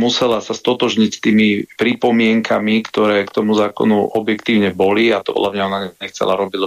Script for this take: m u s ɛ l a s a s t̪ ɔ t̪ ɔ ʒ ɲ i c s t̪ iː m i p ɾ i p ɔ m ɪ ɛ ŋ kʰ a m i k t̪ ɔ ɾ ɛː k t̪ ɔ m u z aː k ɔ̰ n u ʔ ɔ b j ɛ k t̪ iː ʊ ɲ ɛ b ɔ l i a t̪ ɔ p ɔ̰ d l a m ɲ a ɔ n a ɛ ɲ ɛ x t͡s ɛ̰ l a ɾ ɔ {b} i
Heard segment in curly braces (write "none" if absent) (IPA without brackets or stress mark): b